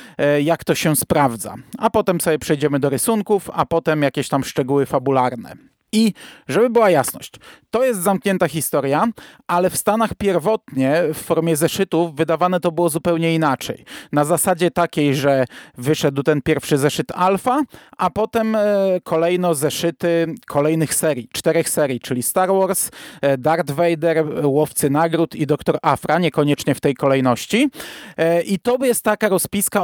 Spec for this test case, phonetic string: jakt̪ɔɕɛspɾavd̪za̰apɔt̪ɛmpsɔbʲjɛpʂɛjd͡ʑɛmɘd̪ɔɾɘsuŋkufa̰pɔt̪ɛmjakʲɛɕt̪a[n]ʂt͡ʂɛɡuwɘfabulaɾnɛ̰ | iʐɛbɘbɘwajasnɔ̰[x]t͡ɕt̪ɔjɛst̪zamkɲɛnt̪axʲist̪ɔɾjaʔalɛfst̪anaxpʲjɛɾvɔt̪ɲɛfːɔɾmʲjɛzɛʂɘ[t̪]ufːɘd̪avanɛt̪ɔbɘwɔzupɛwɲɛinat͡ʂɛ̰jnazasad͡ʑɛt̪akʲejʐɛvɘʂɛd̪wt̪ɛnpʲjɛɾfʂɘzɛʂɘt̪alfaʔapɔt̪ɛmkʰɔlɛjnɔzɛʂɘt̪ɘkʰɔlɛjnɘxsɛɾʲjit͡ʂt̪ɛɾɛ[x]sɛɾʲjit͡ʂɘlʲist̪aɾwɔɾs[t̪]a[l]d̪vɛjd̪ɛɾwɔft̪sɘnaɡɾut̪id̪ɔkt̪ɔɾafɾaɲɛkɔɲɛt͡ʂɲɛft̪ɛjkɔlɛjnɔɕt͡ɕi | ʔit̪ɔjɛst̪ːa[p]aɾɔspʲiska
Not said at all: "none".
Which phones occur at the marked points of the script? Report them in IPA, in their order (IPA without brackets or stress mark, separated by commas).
m, ɕ, t̪, x, d̪, ɾ, k